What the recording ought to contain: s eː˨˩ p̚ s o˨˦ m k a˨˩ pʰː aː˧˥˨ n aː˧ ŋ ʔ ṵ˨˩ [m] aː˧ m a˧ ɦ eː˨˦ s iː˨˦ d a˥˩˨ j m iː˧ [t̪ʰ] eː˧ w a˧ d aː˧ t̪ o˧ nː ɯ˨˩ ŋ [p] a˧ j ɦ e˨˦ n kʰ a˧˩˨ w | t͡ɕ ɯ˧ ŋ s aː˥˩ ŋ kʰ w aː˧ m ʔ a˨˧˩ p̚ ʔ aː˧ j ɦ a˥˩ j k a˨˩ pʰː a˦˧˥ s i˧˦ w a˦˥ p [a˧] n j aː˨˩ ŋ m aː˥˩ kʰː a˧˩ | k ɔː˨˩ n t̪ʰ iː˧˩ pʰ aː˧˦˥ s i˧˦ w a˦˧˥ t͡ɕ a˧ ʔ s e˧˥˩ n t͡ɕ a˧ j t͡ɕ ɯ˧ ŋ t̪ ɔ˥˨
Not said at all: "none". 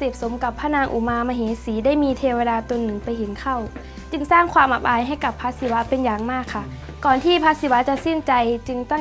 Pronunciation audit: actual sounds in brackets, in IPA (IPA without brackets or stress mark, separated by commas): m, t̪ʰ, p, e˧